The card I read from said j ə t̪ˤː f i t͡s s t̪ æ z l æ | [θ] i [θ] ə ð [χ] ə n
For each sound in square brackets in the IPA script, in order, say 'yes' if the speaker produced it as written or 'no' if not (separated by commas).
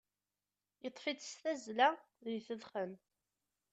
no, yes, yes